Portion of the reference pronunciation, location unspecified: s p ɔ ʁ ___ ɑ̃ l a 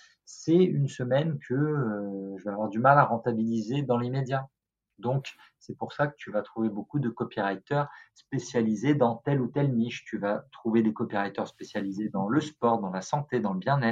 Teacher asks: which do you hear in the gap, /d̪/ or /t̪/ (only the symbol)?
d̪